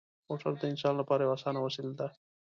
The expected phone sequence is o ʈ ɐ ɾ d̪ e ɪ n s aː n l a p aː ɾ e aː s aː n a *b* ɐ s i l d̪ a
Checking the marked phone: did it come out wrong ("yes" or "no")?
yes